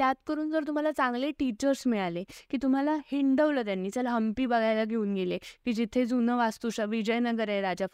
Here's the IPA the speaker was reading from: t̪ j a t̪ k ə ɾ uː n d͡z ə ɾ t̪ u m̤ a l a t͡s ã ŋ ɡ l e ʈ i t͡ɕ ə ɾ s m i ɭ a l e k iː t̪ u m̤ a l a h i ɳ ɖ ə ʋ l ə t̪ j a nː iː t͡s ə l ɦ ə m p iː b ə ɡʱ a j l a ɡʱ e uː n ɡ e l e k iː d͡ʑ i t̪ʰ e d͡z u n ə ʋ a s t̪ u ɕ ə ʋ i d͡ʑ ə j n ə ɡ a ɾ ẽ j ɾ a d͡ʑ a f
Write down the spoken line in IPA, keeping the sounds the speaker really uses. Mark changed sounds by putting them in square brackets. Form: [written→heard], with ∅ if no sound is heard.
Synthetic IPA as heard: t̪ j a t̪ k ə ɾ uː n d͡z ə ɾ t̪ u m̤ a l a t͡s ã ŋ ɡ l e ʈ i t͡ɕ ə ɾ s m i ɭ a l e k iː t̪ u m̤ a l a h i ɳ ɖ ə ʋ l ə t̪ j a nː iː t͡s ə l ɦ ə m p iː b ə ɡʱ a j l a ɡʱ e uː n ɡ e l e k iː d͡ʑ i t̪ʰ e d͡z u n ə ʋ a s t̪ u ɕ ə ʋ i d͡ʑ ə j n ə ɡ [a→ə] ɾ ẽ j ɾ a d͡ʑ a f